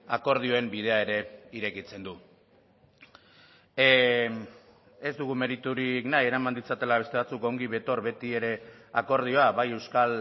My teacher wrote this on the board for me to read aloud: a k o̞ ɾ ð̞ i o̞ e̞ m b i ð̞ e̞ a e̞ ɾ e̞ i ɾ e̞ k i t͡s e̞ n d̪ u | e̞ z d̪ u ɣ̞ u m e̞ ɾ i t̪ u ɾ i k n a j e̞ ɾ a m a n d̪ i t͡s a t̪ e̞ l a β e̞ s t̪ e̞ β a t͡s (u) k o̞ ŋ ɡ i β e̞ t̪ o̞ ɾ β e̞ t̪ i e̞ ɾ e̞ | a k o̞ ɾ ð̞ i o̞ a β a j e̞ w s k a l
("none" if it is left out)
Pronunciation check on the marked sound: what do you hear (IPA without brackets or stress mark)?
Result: u